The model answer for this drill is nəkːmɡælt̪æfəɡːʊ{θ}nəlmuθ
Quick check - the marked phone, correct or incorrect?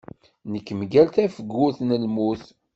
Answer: correct